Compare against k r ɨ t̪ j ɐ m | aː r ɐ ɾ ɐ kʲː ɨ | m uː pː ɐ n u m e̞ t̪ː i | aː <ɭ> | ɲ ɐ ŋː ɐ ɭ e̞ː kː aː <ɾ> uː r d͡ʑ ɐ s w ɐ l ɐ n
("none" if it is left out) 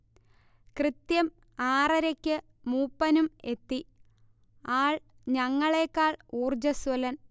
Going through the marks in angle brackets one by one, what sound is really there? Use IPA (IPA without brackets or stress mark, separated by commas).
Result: ɭ, ɭ